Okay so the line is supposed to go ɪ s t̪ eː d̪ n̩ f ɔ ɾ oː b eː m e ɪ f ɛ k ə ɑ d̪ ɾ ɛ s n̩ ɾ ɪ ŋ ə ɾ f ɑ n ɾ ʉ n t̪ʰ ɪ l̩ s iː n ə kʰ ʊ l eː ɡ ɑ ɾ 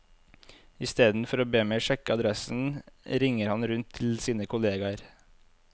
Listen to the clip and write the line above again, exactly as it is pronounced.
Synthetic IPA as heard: ɪ s t̪ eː d̪ n̩ f ɔ ɾ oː b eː m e ɪ ʃ ɛ k ə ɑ d̪ ɾ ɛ s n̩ ɾ ɪ ŋ ə ɾ h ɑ n ɾ ʉ n t̪ʰ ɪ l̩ s iː n ə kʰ ʊ l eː ɡ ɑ ɾ